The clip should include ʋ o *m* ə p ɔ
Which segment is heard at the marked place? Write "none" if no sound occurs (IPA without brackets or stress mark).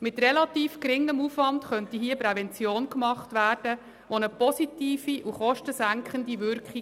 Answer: n